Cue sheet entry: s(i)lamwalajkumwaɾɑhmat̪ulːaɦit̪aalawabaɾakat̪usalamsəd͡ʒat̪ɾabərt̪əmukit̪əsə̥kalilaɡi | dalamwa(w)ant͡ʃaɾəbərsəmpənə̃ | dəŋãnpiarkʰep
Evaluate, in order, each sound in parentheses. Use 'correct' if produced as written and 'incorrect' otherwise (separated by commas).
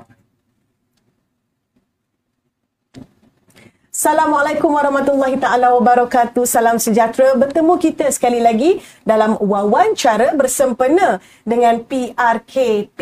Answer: incorrect, correct